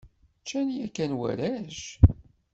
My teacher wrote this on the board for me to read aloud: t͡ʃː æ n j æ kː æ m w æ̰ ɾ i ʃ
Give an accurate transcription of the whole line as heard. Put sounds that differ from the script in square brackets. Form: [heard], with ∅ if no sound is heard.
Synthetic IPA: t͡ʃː æ n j æ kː æ [n] w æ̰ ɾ [æ] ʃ